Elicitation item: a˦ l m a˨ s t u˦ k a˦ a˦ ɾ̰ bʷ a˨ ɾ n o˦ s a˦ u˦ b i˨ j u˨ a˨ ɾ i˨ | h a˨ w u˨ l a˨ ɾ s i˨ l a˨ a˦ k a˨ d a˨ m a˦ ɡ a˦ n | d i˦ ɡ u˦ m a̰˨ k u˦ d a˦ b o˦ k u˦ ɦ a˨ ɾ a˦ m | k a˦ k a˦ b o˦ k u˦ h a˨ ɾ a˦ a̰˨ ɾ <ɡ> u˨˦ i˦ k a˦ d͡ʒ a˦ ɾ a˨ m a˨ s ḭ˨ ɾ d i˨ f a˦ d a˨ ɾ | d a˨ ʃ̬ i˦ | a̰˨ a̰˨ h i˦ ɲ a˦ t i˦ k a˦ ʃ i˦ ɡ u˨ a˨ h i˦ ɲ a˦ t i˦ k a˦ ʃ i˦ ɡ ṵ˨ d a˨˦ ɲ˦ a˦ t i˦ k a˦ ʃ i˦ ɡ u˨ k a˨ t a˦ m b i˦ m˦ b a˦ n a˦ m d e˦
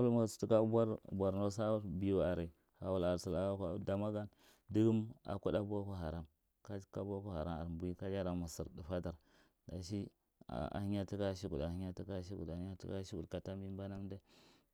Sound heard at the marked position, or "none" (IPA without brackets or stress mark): b